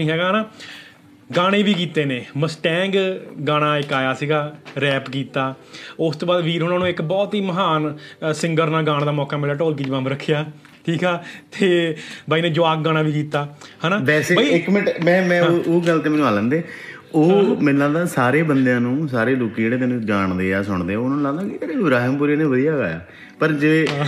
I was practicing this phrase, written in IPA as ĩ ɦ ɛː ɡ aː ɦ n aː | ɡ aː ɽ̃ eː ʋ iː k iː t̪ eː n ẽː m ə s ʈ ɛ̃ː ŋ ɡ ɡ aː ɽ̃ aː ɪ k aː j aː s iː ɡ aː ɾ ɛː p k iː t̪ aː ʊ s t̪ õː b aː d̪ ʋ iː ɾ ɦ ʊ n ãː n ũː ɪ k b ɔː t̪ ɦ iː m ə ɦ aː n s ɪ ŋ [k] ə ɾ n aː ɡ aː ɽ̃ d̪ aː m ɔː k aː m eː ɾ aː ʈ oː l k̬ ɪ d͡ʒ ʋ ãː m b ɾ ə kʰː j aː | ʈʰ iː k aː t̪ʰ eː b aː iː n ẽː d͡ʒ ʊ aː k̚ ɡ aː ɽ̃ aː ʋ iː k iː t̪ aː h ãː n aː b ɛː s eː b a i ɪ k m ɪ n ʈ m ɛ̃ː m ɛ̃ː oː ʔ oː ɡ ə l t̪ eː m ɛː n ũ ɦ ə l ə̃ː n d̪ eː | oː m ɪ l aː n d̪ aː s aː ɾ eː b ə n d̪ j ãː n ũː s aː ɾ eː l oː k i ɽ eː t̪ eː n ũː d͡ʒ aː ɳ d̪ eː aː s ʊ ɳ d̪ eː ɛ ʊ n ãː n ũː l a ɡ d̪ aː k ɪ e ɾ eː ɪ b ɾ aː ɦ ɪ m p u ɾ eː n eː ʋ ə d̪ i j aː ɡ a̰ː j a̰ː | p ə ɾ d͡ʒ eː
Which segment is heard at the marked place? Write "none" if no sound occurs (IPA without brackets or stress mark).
ɡ